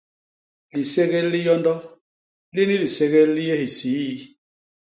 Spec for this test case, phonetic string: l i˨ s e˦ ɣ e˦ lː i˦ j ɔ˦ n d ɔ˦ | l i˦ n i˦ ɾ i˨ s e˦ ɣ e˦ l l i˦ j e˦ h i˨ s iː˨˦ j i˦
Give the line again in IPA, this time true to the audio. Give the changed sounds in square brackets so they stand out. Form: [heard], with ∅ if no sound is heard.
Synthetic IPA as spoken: l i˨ s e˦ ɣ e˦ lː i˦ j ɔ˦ n d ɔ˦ | l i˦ n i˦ [l] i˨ s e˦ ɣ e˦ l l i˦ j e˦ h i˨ s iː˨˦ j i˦

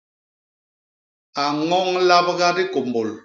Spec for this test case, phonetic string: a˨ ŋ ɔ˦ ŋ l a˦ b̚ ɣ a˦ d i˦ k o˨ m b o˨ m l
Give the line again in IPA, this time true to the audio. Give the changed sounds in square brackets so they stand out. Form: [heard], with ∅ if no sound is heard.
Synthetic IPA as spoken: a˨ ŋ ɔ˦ ŋ l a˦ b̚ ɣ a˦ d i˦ k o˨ m b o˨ [∅] l

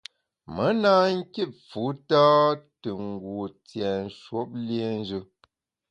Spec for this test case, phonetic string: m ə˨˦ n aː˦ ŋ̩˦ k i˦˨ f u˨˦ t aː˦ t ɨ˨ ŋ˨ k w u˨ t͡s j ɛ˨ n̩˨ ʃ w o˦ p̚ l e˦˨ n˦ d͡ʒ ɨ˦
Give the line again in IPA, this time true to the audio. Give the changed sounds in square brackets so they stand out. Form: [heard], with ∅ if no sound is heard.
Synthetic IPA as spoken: m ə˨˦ n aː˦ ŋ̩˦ k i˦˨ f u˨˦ t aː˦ t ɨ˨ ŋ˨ [ɡ] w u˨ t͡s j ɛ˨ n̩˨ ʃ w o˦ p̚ l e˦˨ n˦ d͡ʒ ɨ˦

